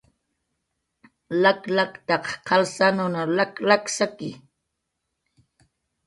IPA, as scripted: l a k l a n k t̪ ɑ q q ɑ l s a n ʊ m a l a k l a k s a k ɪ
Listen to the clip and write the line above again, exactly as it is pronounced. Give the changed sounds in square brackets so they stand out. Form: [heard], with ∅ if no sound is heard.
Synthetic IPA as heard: l a k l a [∅] k t̪ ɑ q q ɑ l s a n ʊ [n] a l a k l a k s a k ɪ